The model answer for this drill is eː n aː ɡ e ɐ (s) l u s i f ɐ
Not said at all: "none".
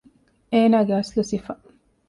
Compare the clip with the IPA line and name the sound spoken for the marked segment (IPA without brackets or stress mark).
s